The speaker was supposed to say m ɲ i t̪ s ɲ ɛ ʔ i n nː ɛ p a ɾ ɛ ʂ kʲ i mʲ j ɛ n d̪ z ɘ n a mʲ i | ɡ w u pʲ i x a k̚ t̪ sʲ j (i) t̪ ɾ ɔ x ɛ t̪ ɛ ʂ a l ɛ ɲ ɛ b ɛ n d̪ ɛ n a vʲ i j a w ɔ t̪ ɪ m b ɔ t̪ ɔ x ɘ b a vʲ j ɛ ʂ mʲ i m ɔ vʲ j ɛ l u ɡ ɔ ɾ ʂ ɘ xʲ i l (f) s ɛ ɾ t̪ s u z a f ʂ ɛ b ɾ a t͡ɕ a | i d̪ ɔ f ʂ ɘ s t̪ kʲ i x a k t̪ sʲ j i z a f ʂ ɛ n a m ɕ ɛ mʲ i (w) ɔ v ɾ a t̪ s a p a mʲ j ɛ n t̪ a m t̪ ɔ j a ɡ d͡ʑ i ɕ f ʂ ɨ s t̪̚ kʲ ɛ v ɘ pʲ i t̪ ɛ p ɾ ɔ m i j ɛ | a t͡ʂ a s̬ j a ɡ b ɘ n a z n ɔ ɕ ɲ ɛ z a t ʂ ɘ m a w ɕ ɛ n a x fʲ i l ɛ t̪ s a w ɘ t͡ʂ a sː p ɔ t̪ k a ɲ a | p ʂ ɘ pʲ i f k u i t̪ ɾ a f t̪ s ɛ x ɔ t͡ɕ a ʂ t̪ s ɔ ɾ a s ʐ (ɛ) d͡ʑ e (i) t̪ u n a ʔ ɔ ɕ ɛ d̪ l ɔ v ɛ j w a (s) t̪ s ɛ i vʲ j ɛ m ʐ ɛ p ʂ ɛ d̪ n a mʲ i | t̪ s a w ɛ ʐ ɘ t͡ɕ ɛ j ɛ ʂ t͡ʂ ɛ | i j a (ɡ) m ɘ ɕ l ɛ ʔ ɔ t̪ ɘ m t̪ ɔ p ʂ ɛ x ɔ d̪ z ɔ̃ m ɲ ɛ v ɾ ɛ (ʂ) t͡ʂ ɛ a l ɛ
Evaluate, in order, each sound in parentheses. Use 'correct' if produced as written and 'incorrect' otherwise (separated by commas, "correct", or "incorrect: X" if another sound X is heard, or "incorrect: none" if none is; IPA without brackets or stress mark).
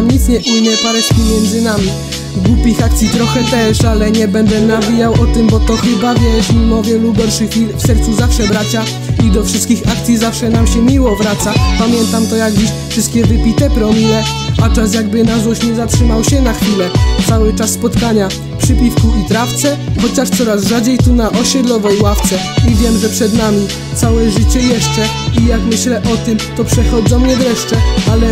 correct, correct, correct, incorrect: a, incorrect: j, incorrect: f, incorrect: k, correct